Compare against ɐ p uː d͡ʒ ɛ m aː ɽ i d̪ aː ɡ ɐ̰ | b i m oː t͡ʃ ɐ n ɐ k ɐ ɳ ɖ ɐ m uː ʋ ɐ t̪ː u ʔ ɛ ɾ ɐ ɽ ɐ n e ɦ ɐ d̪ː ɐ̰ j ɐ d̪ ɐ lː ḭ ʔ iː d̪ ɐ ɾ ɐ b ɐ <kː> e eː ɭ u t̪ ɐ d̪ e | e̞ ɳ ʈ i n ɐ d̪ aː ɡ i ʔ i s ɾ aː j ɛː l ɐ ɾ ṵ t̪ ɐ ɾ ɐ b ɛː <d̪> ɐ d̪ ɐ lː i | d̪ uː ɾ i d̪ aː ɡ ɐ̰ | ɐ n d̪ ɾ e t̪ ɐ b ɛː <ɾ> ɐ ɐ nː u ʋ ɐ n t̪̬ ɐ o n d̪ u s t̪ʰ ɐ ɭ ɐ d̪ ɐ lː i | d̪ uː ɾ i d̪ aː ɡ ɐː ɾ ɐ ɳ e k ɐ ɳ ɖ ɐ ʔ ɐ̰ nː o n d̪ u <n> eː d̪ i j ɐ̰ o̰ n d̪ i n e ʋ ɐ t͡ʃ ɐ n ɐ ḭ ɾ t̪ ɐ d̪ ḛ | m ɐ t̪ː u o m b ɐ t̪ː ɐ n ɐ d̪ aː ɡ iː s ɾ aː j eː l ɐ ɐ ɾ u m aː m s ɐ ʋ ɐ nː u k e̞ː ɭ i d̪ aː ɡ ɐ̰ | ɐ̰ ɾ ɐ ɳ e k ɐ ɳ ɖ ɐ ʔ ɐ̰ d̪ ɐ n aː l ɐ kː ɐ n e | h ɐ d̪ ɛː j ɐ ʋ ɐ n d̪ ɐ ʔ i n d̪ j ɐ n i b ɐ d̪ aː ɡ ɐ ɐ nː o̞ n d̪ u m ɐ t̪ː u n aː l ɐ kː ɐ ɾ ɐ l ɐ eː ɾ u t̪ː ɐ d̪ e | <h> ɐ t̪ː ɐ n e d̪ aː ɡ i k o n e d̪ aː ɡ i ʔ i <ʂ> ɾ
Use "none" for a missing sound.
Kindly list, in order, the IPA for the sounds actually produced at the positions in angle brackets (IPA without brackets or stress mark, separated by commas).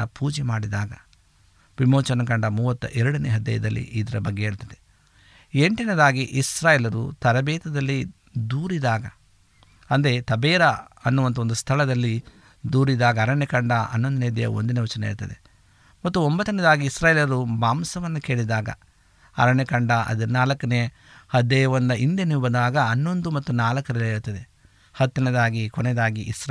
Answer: ɡː, t̪, ɾ, n, h, s